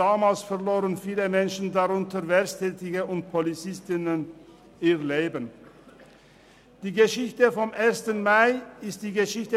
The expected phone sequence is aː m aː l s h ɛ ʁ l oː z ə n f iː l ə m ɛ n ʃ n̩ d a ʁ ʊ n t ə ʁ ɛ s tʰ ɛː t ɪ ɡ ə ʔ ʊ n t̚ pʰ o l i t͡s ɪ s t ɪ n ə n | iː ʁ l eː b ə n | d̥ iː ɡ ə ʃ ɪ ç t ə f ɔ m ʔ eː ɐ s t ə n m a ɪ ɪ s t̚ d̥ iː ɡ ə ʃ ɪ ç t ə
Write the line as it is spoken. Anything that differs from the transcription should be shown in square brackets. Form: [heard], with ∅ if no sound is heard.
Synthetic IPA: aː m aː l s [f] ɛ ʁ l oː [ʁ] ə n f iː l ə m ɛ n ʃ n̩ d a ʁ ʊ n t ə [v] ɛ s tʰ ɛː t ɪ ɡ ə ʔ ʊ n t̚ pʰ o l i t͡s ɪ s t ɪ n ə n | iː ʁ l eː b ə n | d̥ iː ɡ ə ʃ ɪ ç t ə f ɔ m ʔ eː ɐ s t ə n m a ɪ ɪ s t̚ d̥ iː ɡ ə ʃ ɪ ç t ə